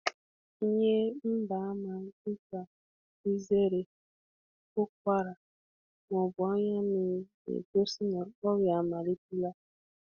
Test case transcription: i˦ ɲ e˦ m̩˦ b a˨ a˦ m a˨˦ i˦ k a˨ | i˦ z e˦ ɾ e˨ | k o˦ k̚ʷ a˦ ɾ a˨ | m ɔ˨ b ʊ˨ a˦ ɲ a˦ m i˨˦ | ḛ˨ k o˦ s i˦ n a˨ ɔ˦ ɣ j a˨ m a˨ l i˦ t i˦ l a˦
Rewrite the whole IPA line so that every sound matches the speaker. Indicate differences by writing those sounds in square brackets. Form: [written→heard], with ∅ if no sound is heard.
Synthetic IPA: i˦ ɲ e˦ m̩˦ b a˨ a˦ m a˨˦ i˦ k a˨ | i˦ z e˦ ɾ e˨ | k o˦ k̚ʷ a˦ ɾ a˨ | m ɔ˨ b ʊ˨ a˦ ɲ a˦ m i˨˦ | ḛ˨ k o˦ s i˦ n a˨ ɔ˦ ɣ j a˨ m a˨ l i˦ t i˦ l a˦